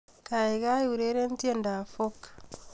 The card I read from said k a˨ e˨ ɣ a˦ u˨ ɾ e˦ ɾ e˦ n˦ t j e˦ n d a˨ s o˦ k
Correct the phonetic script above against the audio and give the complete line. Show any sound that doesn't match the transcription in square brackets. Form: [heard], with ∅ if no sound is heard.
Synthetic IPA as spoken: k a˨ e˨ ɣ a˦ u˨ ɾ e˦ ɾ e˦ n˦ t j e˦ n d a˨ [f] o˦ k